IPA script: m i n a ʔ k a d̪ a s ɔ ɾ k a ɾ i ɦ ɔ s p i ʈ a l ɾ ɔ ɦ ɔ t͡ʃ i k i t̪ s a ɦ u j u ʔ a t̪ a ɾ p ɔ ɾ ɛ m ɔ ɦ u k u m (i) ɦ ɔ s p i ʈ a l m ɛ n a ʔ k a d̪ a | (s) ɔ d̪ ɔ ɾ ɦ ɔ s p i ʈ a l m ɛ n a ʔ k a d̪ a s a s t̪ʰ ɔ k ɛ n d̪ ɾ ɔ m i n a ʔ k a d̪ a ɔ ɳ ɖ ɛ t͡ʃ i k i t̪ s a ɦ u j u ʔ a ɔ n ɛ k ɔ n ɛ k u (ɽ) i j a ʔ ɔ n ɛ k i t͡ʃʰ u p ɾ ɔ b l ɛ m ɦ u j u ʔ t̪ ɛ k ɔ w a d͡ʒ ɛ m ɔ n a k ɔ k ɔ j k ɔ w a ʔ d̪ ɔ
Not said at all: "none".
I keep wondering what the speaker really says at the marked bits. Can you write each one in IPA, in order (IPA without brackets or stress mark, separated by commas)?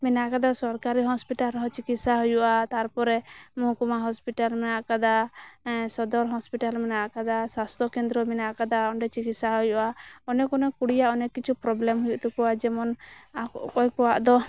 a, s, ɽ